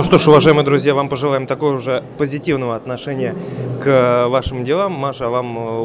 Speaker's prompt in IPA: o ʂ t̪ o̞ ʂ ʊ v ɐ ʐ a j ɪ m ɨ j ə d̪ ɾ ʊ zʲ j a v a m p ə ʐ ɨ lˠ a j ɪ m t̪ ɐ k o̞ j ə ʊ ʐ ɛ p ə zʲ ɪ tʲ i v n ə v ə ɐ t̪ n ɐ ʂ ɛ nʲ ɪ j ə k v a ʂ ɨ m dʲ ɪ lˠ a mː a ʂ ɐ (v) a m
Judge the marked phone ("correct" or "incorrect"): correct